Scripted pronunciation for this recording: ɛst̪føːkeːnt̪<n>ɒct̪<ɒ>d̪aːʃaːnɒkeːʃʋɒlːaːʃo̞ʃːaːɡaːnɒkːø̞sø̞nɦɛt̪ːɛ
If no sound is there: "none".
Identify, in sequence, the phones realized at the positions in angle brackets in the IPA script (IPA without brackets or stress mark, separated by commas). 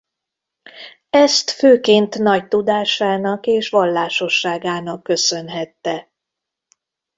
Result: n, u